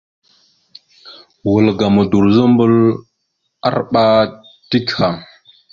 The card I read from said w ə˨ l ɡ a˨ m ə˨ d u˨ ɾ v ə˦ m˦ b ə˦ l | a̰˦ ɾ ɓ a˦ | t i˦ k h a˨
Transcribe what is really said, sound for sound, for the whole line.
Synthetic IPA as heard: w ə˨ l ɡ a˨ m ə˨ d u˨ ɾ z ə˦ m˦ b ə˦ l | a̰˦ ɾ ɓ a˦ | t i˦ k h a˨